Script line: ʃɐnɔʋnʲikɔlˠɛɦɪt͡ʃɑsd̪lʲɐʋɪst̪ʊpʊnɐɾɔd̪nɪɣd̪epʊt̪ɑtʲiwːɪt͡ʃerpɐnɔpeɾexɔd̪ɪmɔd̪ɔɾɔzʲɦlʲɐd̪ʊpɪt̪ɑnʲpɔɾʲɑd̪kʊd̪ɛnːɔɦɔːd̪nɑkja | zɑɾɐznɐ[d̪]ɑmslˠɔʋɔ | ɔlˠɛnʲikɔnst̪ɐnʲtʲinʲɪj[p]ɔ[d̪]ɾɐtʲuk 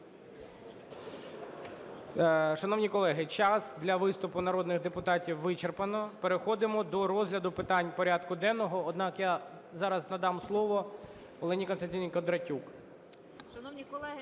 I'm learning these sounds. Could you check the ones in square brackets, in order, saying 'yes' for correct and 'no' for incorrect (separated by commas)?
yes, no, yes